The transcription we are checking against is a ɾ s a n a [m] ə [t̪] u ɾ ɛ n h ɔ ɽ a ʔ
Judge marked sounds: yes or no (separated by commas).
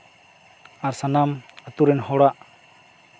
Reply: yes, yes